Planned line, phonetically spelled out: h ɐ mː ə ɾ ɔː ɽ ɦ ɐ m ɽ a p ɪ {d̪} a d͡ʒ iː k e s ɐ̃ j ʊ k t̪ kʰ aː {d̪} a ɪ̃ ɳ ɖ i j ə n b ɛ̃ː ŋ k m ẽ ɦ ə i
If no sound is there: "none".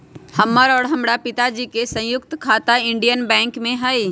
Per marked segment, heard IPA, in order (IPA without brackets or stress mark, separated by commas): t̪, t̪